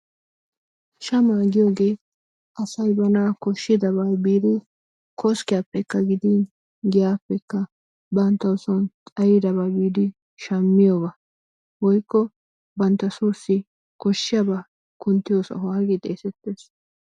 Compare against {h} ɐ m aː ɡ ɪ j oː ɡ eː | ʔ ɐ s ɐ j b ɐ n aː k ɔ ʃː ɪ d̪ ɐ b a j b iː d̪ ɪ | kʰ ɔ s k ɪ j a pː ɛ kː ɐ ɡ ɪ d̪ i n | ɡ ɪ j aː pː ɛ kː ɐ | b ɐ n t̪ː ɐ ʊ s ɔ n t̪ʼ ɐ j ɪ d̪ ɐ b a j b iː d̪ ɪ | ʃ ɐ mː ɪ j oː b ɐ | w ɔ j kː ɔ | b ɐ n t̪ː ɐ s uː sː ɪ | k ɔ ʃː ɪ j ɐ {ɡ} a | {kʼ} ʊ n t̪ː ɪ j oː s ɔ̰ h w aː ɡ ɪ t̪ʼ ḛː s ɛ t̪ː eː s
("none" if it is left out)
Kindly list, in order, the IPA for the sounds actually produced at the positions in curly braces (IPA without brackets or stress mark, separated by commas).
ʃ, b, k